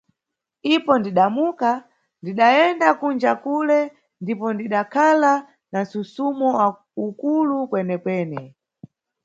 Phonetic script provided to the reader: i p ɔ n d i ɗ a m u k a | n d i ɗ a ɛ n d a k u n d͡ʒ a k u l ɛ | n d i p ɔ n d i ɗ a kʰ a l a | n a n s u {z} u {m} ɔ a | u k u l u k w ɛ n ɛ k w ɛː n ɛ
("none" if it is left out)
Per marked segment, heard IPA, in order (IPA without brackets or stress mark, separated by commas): s, m